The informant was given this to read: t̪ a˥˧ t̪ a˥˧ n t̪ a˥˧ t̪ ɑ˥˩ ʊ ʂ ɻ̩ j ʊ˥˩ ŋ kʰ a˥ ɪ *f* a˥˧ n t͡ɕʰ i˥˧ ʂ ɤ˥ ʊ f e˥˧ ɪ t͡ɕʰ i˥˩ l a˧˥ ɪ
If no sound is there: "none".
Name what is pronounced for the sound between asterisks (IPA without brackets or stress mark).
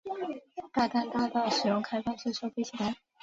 f